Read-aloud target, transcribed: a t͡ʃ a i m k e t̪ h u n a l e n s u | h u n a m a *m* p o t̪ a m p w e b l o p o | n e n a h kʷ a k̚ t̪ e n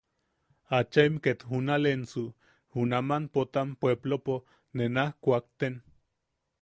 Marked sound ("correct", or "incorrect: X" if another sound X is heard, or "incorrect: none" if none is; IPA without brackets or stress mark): incorrect: n